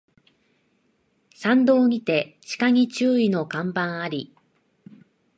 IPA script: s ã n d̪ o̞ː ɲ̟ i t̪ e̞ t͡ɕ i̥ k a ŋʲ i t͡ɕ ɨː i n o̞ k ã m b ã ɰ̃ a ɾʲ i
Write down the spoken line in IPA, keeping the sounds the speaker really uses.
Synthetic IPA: s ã n d̪ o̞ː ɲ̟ i t̪ e̞ t͡ɕ i̥ k a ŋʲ i t͡ɕ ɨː i n o̞ k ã m b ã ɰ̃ a ɾʲ i